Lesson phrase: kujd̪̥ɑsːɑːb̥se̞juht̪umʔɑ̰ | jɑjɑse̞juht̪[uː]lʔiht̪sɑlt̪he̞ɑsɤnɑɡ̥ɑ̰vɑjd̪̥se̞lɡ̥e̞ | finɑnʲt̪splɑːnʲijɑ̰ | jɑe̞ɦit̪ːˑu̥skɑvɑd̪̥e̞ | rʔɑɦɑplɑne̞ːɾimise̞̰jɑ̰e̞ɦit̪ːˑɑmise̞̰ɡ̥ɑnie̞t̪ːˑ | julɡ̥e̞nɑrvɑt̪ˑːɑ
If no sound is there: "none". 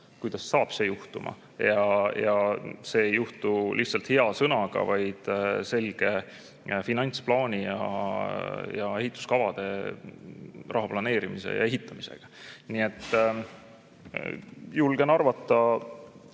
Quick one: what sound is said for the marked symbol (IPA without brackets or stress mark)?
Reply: u